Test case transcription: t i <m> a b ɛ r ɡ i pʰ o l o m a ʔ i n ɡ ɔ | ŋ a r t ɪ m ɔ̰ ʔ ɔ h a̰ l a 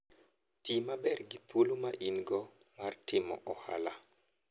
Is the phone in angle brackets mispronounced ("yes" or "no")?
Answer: no